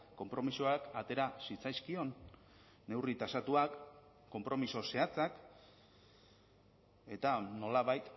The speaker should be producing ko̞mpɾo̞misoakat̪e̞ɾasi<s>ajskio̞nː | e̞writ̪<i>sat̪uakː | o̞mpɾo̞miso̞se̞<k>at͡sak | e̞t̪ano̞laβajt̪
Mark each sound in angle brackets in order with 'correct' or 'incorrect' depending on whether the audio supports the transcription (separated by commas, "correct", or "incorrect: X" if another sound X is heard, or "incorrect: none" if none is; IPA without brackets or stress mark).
incorrect: t͡s, incorrect: a, incorrect: none